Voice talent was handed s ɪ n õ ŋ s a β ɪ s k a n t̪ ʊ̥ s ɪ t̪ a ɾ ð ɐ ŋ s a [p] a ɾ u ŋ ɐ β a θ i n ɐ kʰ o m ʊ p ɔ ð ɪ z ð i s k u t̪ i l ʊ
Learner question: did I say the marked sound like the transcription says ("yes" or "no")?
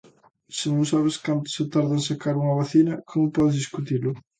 no